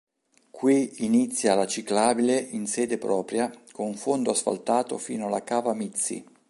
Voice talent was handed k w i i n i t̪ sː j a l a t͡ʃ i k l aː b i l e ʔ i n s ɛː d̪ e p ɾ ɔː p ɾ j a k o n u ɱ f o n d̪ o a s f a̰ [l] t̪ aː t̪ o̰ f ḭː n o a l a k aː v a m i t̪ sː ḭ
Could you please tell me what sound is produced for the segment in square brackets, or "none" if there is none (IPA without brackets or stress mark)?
l